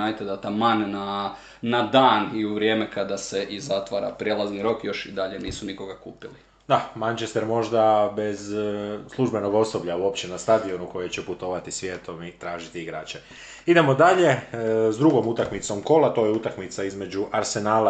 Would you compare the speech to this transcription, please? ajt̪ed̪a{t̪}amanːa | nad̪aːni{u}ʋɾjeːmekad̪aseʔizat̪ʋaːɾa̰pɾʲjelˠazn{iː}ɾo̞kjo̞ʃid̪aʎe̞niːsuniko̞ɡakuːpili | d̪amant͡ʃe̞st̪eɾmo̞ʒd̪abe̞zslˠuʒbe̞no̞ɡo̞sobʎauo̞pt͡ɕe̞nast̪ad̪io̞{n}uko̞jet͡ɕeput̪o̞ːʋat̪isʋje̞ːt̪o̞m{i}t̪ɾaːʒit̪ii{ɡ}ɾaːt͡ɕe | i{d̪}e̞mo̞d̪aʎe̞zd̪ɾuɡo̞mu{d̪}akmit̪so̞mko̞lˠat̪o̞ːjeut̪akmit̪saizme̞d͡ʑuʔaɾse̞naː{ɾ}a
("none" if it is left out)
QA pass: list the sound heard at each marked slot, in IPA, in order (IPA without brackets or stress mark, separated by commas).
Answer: t̪, u, i, n, i, ɡ, d̪, t̪, l